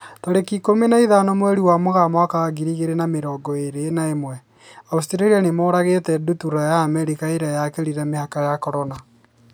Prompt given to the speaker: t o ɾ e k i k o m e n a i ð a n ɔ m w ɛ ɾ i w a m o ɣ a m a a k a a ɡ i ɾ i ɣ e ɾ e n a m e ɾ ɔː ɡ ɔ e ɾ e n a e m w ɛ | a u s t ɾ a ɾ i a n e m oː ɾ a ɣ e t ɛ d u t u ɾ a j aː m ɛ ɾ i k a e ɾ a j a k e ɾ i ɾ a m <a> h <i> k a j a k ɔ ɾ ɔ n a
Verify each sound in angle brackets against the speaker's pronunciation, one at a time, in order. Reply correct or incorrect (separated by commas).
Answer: incorrect, incorrect